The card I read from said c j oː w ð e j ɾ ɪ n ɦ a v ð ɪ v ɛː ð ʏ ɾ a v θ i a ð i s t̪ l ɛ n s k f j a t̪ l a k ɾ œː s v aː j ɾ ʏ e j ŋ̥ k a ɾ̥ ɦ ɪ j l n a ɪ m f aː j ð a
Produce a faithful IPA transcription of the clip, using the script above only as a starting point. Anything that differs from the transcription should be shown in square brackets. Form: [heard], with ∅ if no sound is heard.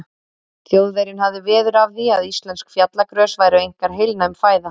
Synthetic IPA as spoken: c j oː w ð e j ɾ ɪ n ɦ a v ð ɪ v ɛː ð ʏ ɾ a v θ i a ð i s t̪ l ɛ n s k f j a t̪ l a k ɾ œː s v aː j ɾ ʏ e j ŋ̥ k a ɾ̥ ɦ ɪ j l n a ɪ m f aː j ð a